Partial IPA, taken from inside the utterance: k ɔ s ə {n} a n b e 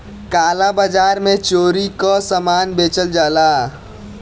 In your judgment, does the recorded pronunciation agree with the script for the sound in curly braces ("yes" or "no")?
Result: no